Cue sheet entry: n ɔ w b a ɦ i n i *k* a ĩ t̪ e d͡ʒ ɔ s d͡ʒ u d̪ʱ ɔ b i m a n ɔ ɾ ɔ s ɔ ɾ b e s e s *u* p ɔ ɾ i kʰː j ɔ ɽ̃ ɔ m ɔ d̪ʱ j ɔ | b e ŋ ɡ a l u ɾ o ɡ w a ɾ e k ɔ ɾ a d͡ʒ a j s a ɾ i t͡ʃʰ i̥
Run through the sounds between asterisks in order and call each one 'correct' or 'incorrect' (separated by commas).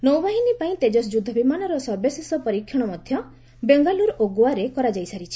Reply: incorrect, incorrect